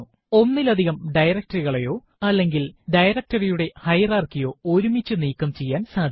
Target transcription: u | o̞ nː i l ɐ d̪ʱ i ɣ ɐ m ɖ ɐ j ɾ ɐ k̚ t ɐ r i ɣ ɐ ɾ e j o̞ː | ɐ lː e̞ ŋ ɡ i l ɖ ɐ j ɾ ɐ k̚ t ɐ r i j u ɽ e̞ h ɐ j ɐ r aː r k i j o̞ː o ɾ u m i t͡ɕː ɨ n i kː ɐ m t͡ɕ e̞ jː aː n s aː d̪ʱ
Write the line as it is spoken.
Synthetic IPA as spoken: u | o̞ nː i l ɐ d̪ʱ i ɣ ɐ m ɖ ɐ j ɾ ɐ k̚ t ɐ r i ɣ ɐ ɭ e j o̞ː | ɐ lː e̞ ŋ ɡ i l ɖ ɐ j ɾ ɐ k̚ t ɐ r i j u ɽ e̞ h ɐ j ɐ r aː r k i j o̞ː o ɾ u m i t͡ɕː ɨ n iː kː ɐ m t͡ɕ e̞ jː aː n s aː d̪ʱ